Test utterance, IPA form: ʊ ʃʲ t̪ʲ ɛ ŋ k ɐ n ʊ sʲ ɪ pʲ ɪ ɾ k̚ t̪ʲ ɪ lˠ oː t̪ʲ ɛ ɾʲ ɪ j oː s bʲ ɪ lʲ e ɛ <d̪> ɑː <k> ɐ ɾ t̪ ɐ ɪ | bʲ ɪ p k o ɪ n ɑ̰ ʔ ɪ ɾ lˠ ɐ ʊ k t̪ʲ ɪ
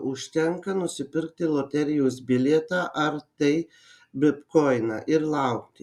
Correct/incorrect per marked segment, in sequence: incorrect, incorrect

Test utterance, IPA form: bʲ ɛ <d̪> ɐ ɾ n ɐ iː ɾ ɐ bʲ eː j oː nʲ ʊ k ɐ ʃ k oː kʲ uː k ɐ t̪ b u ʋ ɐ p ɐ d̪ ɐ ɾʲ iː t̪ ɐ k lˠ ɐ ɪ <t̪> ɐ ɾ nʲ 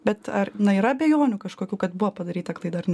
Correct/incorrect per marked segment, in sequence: incorrect, incorrect

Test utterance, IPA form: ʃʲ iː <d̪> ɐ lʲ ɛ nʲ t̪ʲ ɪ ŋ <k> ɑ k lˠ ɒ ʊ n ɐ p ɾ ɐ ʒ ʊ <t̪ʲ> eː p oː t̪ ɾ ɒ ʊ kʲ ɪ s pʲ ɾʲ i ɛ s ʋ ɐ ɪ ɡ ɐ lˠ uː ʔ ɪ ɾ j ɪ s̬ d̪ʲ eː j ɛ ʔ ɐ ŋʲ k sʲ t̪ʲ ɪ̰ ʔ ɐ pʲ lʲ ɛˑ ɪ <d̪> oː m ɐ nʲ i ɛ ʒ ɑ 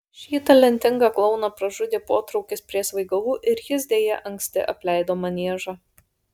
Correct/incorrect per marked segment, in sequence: incorrect, incorrect, incorrect, correct

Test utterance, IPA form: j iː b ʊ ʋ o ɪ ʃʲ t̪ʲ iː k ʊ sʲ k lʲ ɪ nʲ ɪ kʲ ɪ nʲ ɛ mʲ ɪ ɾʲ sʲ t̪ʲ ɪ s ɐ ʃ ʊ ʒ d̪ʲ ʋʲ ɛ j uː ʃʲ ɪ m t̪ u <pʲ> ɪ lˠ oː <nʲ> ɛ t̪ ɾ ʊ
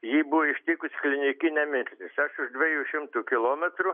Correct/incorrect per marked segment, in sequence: incorrect, incorrect

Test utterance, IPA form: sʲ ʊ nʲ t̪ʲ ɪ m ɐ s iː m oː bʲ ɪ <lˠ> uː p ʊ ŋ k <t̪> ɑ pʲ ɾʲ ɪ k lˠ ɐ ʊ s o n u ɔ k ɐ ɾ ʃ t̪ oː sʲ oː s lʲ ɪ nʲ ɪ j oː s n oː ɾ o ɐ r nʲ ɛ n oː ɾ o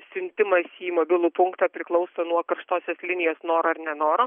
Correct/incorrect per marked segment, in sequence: correct, correct

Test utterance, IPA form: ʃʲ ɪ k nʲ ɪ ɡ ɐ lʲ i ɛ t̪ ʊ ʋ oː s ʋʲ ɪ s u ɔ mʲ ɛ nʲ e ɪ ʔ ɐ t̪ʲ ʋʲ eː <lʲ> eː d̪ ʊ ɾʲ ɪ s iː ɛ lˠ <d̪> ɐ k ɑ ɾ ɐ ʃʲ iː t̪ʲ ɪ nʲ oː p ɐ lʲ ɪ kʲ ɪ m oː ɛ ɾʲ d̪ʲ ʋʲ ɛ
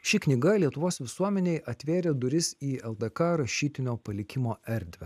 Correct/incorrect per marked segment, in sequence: incorrect, correct

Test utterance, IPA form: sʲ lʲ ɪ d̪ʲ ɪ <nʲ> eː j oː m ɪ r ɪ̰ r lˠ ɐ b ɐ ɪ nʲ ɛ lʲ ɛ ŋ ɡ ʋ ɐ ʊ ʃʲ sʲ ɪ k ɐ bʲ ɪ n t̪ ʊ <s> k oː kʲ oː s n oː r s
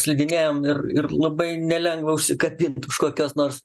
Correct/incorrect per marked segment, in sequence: correct, incorrect

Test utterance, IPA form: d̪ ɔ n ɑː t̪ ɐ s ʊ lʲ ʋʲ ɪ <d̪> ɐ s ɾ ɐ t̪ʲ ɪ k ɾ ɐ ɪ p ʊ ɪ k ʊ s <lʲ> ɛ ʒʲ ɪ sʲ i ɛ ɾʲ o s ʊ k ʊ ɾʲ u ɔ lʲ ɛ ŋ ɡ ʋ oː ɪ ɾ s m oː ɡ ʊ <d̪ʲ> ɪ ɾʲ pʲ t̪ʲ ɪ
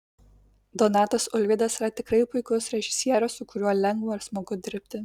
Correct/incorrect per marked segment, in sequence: correct, incorrect, correct

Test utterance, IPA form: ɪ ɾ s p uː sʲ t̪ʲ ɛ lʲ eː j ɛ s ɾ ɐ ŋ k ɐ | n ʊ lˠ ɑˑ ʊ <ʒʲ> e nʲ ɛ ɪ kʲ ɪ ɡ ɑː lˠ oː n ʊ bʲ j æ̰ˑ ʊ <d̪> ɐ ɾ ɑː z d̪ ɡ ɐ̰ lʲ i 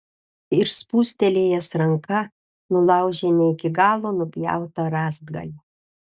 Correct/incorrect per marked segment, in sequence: correct, incorrect

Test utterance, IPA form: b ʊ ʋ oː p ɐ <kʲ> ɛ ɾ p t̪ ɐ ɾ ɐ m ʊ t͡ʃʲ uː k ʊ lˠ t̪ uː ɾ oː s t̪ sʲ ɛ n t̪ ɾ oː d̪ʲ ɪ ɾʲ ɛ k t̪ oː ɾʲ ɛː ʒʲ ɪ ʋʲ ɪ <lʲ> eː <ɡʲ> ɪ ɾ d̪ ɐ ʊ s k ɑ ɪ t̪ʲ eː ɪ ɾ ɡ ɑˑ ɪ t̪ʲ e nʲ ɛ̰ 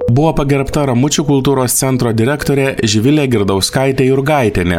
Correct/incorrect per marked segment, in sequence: incorrect, correct, correct

